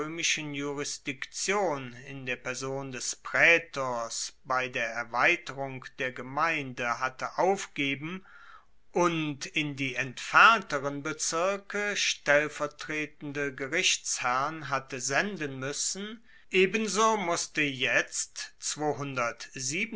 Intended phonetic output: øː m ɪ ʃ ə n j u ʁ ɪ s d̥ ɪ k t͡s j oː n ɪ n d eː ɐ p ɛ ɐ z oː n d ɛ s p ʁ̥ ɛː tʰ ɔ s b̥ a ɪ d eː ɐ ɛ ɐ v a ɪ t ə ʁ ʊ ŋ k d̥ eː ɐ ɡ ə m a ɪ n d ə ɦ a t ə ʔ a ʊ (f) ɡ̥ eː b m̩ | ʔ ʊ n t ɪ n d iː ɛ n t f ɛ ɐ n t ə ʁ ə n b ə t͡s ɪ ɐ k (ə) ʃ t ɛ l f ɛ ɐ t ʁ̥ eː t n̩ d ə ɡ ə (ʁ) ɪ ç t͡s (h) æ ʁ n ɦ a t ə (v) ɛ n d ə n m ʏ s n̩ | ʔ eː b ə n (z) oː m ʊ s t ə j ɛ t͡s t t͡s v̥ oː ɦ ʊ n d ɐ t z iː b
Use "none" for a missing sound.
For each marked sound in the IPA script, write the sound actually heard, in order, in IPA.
f, ə, ʁ, h, z, z

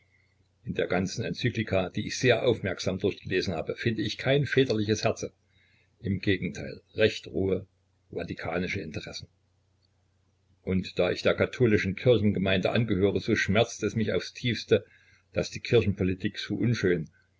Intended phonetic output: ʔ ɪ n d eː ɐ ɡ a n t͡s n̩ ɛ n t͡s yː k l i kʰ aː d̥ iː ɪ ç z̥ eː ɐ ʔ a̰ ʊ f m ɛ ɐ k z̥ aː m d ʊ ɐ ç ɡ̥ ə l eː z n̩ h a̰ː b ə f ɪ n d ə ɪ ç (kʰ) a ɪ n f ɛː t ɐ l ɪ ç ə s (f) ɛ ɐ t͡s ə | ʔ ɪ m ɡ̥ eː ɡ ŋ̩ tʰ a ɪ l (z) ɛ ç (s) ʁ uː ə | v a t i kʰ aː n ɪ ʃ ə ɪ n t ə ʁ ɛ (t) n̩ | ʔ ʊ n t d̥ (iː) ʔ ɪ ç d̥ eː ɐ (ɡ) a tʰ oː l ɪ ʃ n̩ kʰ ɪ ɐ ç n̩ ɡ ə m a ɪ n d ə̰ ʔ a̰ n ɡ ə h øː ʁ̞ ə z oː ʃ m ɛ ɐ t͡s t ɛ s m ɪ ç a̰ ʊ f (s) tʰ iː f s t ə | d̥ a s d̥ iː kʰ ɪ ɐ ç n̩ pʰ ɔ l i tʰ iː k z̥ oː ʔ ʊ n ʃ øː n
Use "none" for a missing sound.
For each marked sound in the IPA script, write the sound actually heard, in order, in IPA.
kʰ, h, ʁ, t, s, aː, k, s

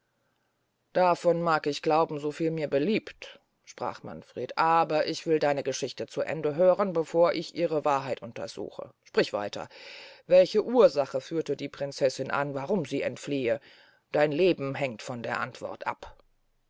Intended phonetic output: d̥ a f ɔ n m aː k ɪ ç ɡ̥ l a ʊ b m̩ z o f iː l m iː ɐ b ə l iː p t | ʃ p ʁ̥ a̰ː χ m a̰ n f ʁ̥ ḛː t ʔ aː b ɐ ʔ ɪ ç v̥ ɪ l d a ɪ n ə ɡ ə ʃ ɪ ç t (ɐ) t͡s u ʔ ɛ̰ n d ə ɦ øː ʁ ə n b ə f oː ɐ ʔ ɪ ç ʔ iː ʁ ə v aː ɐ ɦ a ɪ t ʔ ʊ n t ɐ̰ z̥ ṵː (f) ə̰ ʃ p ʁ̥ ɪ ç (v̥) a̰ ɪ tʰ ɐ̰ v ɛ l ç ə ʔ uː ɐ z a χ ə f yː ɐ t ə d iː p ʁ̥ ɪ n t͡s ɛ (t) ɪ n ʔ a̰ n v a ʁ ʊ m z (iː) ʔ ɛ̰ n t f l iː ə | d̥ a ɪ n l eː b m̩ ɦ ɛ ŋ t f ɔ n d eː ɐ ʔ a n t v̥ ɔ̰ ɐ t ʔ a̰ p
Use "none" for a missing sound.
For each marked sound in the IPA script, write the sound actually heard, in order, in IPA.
ə, x, v̥, s, iː

